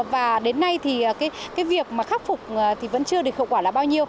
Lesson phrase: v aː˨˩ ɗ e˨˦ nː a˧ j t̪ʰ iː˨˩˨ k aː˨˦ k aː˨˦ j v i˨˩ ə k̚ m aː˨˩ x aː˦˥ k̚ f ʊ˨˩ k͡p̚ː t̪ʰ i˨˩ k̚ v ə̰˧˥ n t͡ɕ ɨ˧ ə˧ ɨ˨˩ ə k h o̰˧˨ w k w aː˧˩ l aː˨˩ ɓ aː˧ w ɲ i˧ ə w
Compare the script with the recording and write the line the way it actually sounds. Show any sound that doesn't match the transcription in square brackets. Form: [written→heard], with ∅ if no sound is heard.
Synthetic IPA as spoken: v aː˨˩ ɗ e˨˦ nː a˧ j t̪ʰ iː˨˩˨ k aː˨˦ k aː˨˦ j v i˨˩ ə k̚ m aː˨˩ x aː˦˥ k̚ f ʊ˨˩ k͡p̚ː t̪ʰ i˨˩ [k̚→∅] v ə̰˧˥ n t͡ɕ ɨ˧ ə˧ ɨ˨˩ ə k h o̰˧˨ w k w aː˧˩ l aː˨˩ ɓ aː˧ w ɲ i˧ ə w

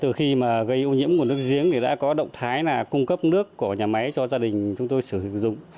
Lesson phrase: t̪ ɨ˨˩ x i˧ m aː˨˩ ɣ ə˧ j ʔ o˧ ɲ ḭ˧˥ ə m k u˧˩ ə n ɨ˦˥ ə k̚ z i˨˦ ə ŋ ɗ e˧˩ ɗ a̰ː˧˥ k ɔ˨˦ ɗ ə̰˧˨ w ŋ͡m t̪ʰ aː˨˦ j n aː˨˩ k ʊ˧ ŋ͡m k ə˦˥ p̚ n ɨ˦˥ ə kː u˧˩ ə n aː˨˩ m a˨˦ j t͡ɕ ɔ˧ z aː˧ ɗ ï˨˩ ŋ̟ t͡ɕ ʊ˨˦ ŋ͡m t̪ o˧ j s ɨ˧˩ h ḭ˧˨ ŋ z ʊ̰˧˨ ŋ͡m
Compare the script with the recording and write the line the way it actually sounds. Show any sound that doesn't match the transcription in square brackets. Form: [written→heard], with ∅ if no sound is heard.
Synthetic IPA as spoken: t̪ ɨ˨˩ x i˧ m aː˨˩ ɣ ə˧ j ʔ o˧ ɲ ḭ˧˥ ə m k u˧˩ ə n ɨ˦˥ ə k̚ z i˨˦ ə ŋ ɗ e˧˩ ɗ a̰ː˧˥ k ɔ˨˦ ɗ ə̰˧˨ w ŋ͡m t̪ʰ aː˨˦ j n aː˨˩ k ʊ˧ ŋ͡m k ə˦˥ p̚ n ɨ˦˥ ə kː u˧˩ ə [n→ɲ] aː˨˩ m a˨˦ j t͡ɕ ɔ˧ z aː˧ ɗ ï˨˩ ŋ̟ t͡ɕ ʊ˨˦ ŋ͡m t̪ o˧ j s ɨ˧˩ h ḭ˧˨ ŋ z ʊ̰˧˨ ŋ͡m

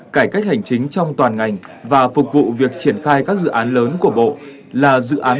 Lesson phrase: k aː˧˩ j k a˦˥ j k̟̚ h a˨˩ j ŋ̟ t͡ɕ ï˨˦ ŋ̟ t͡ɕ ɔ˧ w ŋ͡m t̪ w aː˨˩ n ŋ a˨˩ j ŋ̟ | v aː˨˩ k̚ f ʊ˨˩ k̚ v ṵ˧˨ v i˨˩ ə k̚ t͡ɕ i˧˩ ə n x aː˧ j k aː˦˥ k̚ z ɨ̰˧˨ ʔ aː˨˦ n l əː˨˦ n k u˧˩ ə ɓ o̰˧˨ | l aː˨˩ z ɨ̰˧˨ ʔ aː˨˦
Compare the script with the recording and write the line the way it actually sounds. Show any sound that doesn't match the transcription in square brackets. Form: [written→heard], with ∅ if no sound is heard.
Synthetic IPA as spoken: k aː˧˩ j k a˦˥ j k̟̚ h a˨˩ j ŋ̟ t͡ɕ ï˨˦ ŋ̟ t͡ɕ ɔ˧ w ŋ͡m t̪ w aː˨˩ n ŋ a˨˩ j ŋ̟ | v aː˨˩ [k̚→∅] f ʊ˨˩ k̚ v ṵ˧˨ v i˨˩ ə k̚ t͡ɕ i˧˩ ə n x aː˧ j k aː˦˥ k̚ z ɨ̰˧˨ ʔ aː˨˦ n l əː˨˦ n k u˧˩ ə ɓ o̰˧˨ | l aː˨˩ z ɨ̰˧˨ ʔ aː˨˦

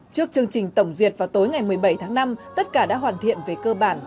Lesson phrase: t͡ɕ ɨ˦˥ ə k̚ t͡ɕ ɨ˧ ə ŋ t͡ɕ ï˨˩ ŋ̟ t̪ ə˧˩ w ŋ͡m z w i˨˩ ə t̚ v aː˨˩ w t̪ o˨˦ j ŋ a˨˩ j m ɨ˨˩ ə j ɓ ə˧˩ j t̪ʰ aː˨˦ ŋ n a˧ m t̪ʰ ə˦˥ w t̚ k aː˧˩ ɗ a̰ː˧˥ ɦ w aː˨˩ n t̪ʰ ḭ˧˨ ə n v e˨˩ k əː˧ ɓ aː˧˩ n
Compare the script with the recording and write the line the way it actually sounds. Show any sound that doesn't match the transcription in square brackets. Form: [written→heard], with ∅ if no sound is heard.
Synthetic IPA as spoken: t͡ɕ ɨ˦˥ ə k̚ t͡ɕ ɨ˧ ə ŋ t͡ɕ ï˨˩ ŋ̟ t̪ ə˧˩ w ŋ͡m z w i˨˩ ə t̚ v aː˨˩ w t̪ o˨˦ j ŋ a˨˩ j m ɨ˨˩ ə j ɓ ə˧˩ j t̪ʰ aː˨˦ ŋ n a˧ m [t̪ʰ→t̪] ə˦˥ [w→∅] t̚ k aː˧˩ ɗ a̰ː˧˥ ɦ w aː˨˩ n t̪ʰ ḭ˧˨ ə n v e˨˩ k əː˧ ɓ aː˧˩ n

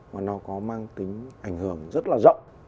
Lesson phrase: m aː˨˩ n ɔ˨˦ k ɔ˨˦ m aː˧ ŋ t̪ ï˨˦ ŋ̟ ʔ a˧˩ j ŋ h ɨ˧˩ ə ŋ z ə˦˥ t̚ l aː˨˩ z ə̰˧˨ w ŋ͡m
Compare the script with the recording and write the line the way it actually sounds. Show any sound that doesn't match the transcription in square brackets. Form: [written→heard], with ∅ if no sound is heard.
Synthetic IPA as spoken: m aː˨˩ n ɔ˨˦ k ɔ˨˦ m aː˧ ŋ t̪ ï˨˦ ŋ̟ ʔ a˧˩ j ŋ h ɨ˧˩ ə ŋ z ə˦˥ t̚ l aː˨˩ z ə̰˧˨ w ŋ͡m

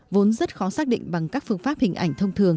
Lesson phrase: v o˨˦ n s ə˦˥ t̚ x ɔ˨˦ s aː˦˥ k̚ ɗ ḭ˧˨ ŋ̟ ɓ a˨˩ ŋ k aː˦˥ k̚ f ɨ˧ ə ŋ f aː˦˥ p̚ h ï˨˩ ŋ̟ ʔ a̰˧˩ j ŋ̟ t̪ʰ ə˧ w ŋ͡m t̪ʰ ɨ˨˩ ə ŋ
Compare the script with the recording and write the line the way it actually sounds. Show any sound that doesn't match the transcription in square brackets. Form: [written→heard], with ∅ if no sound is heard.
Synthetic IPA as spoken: v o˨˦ n [s→z] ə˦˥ t̚ x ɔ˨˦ s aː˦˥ k̚ ɗ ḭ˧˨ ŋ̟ ɓ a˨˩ ŋ k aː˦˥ k̚ f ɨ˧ ə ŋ f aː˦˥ p̚ h ï˨˩ ŋ̟ ʔ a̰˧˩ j ŋ̟ t̪ʰ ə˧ w ŋ͡m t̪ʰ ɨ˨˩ ə ŋ

